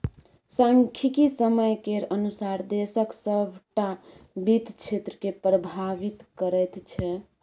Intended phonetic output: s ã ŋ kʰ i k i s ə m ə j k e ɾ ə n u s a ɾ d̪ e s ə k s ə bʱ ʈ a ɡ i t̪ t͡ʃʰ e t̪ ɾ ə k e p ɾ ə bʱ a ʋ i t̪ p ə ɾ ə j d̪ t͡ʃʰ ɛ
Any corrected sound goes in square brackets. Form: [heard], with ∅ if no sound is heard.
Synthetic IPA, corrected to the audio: s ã ŋ kʰ i k i s ə m ə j k e ɾ ə n u s a ɾ d̪ e s ə k s ə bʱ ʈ a [b] i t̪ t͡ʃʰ e t̪ ɾ ə k e p ɾ ə bʱ a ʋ i t̪ [k] ə ɾ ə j [t̪] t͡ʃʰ ɛ